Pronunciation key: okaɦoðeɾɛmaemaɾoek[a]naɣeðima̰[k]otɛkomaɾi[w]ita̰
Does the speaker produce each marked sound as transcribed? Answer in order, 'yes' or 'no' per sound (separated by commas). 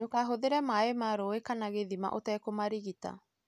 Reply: yes, no, no